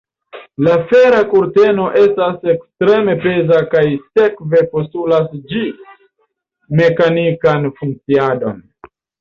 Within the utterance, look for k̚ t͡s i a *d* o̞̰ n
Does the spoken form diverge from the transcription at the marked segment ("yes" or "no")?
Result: no